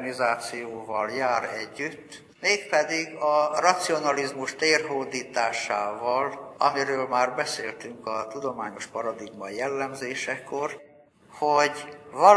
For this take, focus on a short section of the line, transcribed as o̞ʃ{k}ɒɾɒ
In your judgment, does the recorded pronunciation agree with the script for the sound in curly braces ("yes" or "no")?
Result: no